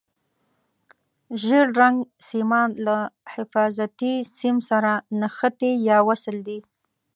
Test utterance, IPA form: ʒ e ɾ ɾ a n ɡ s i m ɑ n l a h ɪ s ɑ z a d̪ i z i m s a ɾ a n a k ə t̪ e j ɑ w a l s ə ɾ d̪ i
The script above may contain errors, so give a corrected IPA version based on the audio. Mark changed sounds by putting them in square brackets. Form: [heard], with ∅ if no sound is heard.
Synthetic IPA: ʒ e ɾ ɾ a [ŋ] ɡ s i m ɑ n l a h ɪ [f] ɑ z a [t̪] i [s] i m s a ɾ a n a [x] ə t̪ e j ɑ w a [∅] s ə [l] d̪ i